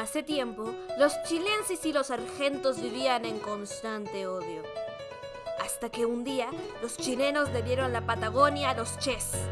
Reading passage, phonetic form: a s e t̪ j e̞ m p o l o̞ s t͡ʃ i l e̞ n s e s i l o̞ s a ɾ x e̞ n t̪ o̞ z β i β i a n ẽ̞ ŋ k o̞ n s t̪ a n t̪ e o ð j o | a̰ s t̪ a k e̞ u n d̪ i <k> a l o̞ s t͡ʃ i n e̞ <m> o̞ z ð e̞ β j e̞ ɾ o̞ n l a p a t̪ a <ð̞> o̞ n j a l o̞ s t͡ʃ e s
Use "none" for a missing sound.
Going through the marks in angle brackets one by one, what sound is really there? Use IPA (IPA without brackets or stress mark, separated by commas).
none, n, ɣ̞